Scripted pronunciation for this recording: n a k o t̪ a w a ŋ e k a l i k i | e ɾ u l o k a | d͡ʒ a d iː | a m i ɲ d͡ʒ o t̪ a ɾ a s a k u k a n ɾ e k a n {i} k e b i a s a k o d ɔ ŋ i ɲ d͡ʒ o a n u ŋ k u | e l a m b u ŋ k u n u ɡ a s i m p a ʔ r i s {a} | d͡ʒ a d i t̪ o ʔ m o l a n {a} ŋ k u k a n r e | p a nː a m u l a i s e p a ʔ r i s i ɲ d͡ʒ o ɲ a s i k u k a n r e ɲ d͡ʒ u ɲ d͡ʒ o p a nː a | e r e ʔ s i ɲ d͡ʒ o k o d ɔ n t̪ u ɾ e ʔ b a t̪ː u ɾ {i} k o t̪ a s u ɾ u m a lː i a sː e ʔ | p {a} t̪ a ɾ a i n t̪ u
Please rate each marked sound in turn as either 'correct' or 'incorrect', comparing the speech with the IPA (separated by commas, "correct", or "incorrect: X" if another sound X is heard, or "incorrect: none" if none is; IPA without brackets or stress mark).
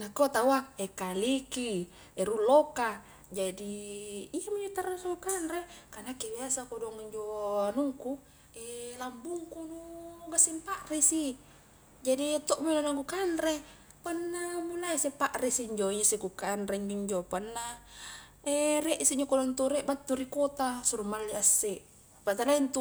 incorrect: a, incorrect: i, correct, correct, correct